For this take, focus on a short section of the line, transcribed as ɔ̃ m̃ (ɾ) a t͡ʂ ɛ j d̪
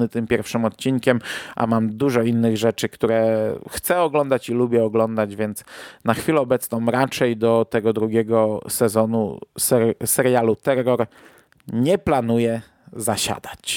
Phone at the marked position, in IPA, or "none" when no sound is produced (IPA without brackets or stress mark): ɾ